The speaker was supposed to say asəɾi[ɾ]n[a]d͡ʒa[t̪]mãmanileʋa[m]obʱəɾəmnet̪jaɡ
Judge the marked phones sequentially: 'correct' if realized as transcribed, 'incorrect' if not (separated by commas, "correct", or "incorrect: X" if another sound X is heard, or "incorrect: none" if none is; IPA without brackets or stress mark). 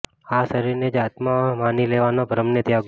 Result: correct, incorrect: e, correct, incorrect: n